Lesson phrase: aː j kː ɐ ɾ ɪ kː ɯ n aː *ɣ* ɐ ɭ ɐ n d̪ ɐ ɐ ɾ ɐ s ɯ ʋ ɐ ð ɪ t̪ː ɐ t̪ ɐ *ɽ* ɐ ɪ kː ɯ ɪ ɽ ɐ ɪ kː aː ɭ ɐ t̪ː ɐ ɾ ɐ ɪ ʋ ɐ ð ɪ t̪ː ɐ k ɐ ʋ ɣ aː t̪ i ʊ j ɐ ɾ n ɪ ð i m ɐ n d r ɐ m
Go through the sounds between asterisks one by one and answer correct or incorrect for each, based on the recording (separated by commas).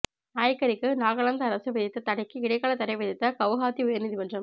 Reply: correct, correct